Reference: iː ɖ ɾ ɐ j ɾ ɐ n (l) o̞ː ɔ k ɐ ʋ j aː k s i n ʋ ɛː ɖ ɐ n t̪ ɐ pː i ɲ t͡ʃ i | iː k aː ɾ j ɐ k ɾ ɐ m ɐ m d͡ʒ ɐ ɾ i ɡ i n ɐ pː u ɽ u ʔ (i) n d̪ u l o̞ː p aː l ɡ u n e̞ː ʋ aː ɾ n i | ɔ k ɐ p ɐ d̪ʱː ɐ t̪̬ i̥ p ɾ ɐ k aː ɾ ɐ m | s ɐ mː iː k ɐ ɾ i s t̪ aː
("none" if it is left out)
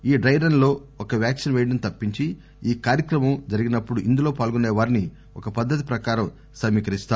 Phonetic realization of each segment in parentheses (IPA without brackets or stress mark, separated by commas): l, i